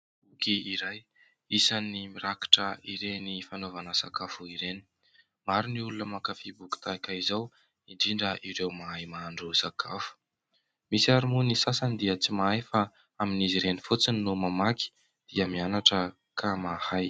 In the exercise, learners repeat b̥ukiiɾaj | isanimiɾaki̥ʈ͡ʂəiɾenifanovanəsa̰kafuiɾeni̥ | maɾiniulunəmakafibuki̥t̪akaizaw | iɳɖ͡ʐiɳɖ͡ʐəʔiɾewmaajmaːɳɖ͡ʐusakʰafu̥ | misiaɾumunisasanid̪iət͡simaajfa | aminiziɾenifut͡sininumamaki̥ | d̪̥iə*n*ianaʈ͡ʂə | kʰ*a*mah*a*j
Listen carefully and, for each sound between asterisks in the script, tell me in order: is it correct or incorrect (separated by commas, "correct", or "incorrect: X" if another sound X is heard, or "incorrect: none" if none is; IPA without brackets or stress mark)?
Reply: incorrect: m, correct, correct